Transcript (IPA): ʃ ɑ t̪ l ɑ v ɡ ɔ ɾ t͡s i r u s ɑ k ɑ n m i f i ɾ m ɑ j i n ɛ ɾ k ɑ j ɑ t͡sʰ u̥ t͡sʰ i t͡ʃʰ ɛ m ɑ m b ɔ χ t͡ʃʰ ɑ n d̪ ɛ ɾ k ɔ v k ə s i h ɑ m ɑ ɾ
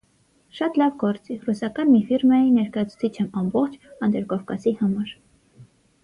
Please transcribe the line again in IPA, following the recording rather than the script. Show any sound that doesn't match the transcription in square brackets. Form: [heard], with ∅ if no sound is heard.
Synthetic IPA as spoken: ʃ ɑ t̪ l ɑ v ɡ ɔ ɾ t͡s i r u s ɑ k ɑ n m i f i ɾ m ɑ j i n ɛ ɾ k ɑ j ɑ t͡sʰ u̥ t͡sʰ i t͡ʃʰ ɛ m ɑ m b ɔ χ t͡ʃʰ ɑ n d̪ ɛ ɾ k ɔ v k [ɑ] s i h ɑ m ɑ ɾ